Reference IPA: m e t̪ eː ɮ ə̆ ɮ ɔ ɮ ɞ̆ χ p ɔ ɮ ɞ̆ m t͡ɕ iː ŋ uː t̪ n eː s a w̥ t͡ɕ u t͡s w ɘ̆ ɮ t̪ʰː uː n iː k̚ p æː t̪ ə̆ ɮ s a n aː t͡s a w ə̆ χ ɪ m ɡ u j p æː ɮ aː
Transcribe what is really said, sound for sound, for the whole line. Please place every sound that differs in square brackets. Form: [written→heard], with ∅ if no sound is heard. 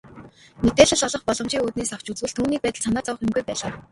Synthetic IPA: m e t̪ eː ɮ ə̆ ɮ ɔ ɮ ɞ̆ χ p ɔ ɮ ɞ̆ m t͡ɕ iː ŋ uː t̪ n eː s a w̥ t͡ɕ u t͡s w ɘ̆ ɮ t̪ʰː uː n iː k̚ p æː t̪ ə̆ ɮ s a n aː t͡s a w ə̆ χ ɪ m ɡ u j p æː ɮ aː